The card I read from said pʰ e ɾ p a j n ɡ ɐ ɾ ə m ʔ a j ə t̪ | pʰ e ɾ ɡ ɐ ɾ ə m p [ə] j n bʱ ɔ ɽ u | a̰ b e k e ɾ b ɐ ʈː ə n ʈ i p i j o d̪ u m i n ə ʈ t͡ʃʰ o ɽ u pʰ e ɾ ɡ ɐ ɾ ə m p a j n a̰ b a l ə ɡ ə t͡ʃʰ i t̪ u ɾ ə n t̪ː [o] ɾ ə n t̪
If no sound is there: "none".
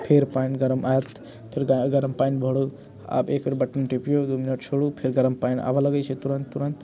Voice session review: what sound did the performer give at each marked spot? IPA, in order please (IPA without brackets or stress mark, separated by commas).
a, u